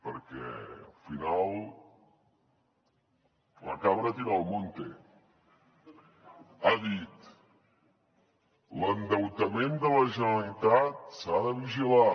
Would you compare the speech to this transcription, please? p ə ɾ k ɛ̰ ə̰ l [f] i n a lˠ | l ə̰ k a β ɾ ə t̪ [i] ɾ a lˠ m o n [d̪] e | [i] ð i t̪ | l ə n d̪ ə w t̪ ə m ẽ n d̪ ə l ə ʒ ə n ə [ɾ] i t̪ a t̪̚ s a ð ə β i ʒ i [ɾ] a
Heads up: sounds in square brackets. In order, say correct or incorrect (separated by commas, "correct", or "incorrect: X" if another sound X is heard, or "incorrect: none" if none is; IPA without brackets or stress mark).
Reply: correct, correct, incorrect: t̪, incorrect: a, incorrect: l, incorrect: l